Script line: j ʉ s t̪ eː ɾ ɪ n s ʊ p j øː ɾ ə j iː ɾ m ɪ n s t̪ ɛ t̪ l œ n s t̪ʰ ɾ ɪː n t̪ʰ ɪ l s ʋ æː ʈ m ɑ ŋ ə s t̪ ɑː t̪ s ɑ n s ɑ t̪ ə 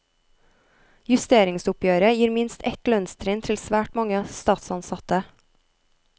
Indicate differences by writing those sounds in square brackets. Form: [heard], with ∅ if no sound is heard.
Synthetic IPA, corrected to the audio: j ʉ s t̪ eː ɾ ɪ [ŋ] s ʊ p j øː ɾ ə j iː ɾ m ɪ n s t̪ ɛ t̪ l œ n s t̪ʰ ɾ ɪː n t̪ʰ ɪ l s ʋ æː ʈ m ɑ ŋ ə s t̪ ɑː t̪ s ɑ n s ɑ t̪ ə